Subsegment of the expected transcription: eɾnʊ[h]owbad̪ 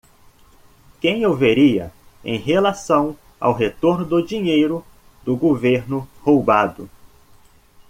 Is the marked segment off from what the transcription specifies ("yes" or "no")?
no